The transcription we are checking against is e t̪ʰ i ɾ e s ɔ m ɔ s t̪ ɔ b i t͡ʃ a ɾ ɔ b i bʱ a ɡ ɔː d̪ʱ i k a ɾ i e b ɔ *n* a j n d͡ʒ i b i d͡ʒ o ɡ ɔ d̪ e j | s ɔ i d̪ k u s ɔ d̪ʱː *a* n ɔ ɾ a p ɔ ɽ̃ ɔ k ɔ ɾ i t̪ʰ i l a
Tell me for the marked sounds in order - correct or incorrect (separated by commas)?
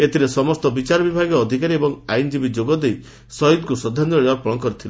incorrect, correct